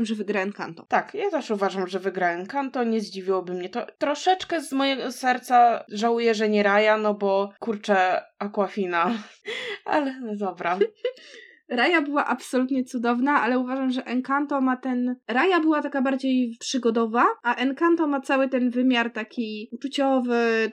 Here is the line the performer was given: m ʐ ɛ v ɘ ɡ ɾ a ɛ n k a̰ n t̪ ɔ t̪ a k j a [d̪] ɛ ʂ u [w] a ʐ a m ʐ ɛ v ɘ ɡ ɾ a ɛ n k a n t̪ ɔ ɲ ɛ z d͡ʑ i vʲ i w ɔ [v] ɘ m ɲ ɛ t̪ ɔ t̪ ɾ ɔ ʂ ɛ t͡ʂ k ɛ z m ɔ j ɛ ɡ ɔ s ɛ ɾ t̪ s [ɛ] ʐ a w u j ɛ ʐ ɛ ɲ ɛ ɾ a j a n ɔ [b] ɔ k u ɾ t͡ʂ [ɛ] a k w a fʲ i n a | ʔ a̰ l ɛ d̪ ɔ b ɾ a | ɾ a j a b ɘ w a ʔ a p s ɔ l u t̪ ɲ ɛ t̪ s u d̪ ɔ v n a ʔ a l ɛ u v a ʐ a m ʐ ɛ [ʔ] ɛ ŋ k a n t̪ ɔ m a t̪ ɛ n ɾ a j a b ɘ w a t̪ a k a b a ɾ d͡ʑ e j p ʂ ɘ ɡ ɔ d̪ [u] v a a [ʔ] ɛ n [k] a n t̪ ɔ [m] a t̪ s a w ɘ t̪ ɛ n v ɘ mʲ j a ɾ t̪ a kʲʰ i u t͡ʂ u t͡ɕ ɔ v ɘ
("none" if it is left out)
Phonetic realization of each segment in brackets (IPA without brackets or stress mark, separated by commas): t̪, v, b, a, b, ɛ, ʔ, ɔ, ʔ, k, m